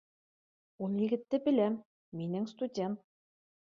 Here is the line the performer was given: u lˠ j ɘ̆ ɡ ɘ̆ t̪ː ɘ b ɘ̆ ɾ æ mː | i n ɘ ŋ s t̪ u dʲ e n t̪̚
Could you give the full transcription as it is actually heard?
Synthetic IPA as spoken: u lˠ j ɘ̆ ɡ ɘ̆ t̪ː ɘ b ɘ̆ l æ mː | i n ɘ ŋ s t̪ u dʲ e n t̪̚